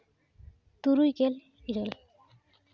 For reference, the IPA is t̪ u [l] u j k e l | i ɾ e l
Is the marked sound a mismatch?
yes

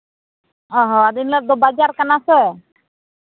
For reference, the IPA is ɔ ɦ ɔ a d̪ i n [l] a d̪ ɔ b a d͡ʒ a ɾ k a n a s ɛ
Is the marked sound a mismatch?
no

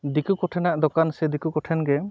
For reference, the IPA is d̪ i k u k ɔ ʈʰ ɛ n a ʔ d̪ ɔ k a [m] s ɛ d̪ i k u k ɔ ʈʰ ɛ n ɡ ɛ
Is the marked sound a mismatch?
yes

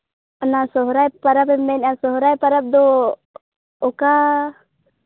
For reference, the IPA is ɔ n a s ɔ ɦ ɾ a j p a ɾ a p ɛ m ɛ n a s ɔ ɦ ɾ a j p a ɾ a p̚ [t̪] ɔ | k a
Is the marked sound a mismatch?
yes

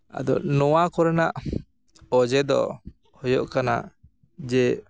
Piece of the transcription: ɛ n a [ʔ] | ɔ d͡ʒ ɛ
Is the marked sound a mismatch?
no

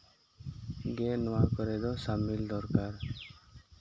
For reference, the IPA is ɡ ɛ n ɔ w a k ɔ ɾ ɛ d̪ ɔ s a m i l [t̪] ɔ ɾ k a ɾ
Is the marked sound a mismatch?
yes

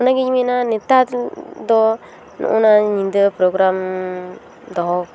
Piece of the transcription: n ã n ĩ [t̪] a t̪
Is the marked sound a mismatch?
no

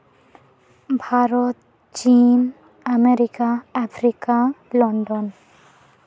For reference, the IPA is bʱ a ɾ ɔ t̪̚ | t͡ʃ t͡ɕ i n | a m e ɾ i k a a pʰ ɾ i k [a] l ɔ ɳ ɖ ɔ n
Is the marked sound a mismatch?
no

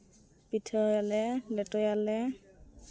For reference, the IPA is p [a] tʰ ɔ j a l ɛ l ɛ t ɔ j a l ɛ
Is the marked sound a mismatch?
yes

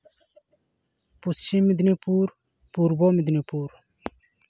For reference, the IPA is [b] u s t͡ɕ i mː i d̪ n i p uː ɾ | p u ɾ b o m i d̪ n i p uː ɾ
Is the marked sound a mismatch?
yes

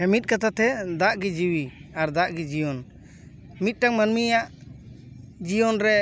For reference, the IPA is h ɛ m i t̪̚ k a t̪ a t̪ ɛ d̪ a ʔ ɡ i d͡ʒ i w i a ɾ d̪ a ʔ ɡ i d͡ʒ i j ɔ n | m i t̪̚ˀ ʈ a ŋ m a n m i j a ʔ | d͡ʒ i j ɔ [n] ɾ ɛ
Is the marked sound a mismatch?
no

